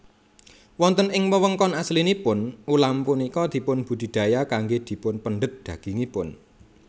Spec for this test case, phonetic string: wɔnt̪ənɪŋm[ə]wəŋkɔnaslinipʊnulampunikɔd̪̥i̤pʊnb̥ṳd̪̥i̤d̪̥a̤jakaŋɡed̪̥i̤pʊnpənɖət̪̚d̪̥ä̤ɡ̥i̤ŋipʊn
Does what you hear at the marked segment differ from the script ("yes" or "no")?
no